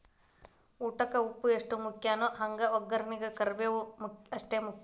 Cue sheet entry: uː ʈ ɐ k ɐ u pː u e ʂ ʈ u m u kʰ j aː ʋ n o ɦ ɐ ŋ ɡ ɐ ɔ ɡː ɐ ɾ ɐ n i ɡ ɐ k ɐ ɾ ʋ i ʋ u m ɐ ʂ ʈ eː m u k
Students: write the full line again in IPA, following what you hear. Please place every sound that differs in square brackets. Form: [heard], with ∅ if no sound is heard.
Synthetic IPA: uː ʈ ɐ k ɐ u pː u e ʂ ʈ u m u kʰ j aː [∅] n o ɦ ɐ ŋ ɡ ɐ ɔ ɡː ɐ ɾ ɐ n i ɡ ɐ k ɐ ɾ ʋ [e] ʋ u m ɐ ʂ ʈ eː m u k